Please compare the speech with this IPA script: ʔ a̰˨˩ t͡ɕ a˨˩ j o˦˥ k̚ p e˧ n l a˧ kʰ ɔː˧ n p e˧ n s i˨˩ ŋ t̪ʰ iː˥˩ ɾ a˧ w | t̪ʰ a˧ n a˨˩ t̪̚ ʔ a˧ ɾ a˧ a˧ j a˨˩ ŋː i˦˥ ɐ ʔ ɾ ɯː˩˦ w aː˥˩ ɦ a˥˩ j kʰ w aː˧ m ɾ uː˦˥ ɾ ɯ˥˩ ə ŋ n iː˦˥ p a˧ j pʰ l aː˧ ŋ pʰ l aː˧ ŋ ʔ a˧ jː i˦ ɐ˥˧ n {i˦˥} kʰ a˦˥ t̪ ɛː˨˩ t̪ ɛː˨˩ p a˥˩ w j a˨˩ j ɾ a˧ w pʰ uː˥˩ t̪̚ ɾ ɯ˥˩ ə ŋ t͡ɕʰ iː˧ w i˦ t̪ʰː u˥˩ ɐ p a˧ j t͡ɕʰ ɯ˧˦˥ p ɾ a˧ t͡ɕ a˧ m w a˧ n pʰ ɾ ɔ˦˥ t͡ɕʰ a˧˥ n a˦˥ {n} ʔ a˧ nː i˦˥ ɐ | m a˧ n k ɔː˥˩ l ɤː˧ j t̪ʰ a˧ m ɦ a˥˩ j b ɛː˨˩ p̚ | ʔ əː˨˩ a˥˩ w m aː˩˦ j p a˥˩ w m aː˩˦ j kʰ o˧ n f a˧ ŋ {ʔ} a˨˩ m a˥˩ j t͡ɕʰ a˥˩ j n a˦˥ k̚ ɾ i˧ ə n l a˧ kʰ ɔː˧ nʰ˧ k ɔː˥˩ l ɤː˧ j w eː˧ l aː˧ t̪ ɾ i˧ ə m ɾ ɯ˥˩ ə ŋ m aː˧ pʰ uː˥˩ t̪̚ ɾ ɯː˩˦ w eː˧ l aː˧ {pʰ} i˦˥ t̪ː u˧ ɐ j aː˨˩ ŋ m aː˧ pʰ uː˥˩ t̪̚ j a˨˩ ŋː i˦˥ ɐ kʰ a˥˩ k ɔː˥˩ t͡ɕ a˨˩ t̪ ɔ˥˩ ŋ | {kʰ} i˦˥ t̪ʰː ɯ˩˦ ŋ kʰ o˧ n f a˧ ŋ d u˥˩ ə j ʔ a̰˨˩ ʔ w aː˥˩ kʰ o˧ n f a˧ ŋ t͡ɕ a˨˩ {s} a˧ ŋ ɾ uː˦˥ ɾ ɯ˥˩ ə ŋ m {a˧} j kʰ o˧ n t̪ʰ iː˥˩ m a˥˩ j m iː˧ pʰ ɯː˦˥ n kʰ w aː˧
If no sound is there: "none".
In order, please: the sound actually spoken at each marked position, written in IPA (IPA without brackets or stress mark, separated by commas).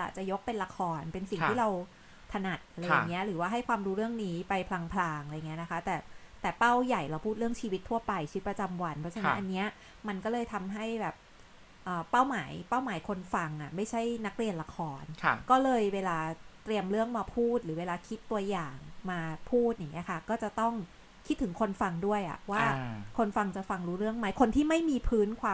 a˦˥, n, ʔ, kʰ, kʰ, f, a˦˥